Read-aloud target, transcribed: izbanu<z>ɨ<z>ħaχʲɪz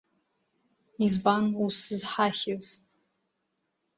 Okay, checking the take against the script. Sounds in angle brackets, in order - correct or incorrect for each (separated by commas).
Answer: incorrect, correct